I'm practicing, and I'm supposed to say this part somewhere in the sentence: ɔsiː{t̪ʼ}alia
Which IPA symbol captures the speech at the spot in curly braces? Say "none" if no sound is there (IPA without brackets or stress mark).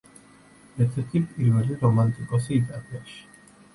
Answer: t̪ʼ